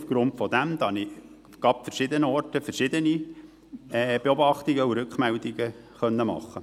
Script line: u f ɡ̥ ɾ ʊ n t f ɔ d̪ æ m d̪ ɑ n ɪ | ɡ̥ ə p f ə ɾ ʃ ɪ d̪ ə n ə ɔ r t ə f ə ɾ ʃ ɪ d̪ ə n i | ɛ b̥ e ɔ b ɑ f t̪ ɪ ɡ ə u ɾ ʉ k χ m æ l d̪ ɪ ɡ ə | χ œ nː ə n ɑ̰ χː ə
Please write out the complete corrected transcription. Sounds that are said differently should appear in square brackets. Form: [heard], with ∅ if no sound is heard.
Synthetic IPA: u f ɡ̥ ɾ ʊ n t f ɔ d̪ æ m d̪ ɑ n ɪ | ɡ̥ [ɑ] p f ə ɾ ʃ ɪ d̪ ə n ə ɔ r t ə f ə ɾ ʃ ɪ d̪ ə n i | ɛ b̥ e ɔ b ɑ [χ] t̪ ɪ ɡ ə u ɾ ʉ k χ m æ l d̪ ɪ ɡ ə | χ œ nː ə [m] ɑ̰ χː ə